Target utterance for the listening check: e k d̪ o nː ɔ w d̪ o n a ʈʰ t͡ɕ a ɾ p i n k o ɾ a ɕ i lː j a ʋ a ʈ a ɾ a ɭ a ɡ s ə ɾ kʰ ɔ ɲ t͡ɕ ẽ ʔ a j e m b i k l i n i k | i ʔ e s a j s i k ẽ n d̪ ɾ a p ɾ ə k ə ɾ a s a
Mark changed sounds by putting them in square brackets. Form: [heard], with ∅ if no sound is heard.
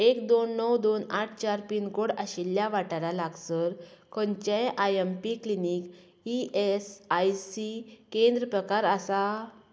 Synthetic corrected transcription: e k d̪ o nː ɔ w d̪ o n a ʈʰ t͡ɕ a ɾ p i n k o [ɽ] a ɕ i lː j a ʋ a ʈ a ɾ a [l] a ɡ s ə ɾ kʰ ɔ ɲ t͡ɕ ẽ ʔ a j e m [p] i k l i n i k | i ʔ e s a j s i k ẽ n d̪ ɾ [ə] p ɾ ə k [a] ɾ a s a